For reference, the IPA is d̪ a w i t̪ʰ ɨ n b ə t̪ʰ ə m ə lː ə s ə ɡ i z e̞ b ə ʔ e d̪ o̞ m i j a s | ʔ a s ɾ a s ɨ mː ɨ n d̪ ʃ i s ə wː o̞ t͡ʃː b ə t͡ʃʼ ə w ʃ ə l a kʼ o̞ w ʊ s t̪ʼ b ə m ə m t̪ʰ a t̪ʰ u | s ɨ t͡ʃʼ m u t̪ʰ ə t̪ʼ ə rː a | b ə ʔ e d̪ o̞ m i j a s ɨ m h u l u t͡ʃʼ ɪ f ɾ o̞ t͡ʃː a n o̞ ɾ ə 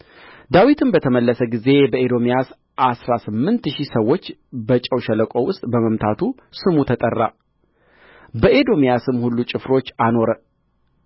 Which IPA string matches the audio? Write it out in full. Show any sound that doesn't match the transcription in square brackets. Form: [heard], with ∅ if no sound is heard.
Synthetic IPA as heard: d̪ a w i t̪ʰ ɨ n b ə t̪ʰ ə m ə lː ə s ə ɡ i z e̞ b ə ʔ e d̪ o̞ m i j a s | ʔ a s ɾ a s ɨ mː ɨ n [t̪] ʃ i s ə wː o̞ t͡ʃː b ə t͡ʃʼ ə w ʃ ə l [ə] kʼ o̞ w ʊ s t̪ʼ b ə m ə m t̪ʰ a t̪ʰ u | s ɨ [∅] m u t̪ʰ ə t̪ʼ ə rː a | b ə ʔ e d̪ o̞ m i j a s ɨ m h u [lː] u t͡ʃʼ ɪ f ɾ o̞ t͡ʃː a n o̞ ɾ ə